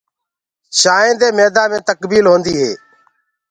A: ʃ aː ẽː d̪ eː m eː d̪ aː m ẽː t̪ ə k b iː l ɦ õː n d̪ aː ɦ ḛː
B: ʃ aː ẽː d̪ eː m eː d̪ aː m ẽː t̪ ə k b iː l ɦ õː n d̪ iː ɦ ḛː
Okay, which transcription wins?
B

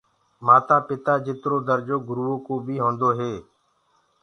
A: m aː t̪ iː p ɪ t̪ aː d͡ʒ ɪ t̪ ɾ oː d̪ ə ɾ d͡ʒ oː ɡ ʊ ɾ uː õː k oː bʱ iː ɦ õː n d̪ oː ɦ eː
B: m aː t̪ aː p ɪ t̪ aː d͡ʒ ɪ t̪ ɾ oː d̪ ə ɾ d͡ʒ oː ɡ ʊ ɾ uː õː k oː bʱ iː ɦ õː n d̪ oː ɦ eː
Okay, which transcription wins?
B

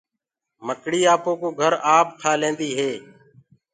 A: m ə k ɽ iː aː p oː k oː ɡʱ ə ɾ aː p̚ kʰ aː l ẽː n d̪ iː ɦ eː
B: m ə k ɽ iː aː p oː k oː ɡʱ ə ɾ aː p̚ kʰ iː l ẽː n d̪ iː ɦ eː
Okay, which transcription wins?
A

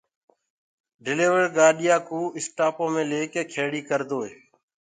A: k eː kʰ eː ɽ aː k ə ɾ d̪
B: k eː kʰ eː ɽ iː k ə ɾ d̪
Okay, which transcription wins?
B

